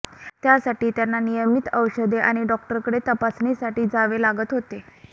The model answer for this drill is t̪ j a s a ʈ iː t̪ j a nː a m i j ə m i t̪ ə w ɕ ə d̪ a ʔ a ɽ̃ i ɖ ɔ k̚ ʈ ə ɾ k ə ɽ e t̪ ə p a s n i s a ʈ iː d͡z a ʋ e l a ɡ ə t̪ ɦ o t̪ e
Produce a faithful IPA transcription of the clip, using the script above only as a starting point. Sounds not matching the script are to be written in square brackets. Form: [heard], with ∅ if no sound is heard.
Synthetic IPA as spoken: t̪ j a s a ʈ iː t̪ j a nː a [n] i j ə m i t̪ ə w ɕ ə d̪ [e] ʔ a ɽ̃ i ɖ ɔ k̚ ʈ ə ɾ k ə ɽ e t̪ ə p a s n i s a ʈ iː d͡z a ʋ e l a ɡ ə t̪ ɦ o t̪ e